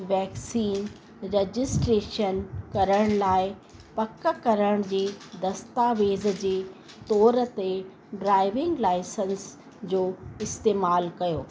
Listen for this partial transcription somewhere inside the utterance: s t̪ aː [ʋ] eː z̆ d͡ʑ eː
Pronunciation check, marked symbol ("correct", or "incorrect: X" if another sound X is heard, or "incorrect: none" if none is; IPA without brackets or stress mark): correct